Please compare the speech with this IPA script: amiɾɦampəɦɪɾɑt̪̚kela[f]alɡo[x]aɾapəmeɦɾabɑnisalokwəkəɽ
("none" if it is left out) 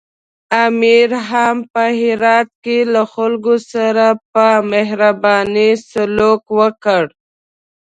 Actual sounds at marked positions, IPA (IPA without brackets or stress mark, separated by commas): x, s